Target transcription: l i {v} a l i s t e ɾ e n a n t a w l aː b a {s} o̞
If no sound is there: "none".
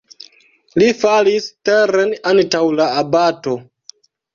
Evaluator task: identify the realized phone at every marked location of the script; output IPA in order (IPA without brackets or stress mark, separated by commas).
f, t